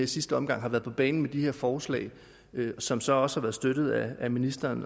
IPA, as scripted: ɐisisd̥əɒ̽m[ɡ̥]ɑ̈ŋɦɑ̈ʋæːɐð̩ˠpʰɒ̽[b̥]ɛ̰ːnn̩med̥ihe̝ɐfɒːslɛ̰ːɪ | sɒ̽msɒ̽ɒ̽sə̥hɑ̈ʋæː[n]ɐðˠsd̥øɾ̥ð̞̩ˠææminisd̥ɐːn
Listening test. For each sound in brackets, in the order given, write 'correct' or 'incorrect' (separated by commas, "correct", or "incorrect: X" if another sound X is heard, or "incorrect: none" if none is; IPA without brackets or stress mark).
correct, correct, incorrect: none